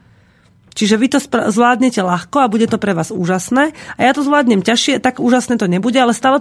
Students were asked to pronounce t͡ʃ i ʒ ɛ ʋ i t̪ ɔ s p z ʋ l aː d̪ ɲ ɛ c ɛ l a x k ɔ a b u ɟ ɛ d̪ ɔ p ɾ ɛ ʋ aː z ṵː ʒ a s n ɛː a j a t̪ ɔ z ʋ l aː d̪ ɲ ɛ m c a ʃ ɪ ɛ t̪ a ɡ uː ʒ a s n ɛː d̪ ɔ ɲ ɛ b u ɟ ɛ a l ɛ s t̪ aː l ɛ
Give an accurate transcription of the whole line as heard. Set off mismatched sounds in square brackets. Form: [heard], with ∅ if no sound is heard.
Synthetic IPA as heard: t͡ʃ i ʒ ɛ ʋ i t̪ ɔ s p z ʋ l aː d̪ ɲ ɛ c ɛ l a x k ɔ a b u ɟ ɛ [t̪] ɔ p ɾ ɛ ʋ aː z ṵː ʒ a s n ɛː a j a t̪ ɔ z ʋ l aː d̪ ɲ ɛ m c a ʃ ɪ ɛ t̪ a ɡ uː ʒ a s n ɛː [t̪] ɔ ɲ ɛ b u ɟ ɛ a l ɛ s t̪ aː l ɛ